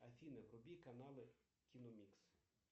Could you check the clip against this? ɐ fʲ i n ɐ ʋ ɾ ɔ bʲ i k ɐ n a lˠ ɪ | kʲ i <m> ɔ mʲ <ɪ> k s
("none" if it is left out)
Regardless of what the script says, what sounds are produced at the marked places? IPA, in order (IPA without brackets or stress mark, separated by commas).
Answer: n, i